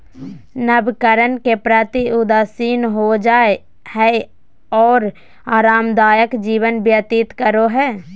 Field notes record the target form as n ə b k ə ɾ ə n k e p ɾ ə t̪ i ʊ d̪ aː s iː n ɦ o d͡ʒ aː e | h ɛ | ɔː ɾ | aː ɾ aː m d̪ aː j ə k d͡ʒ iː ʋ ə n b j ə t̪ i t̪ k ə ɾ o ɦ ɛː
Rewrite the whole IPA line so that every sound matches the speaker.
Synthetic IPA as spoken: n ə b k ə ɾ ə n k e p ɾ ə t̪ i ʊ d̪ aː s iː n ɦ o d͡ʒ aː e | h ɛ | ɔː ɾ | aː ɾ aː m d̪ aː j ə k d͡ʒ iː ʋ ə n b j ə t̪ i t̪ k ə ɾ o ɦ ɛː